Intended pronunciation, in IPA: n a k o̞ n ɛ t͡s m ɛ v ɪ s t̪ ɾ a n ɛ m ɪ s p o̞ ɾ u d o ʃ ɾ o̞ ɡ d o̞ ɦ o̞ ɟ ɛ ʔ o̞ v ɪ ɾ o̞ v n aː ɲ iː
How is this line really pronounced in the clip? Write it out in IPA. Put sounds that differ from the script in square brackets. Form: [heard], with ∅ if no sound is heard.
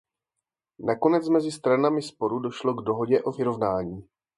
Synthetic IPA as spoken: n a k o̞ n ɛ t͡s m ɛ [z] ɪ s t̪ ɾ a n [a] m ɪ s p o̞ ɾ u d o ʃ [l] o̞ ɡ d o̞ ɦ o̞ ɟ ɛ ʔ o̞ v ɪ ɾ o̞ v n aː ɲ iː